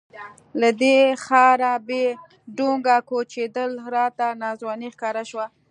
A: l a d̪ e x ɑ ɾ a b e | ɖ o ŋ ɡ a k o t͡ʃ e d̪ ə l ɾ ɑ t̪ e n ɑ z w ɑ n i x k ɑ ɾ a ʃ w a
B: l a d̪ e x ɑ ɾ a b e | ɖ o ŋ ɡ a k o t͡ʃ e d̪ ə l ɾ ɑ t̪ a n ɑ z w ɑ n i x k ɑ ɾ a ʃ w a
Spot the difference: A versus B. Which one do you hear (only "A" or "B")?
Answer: B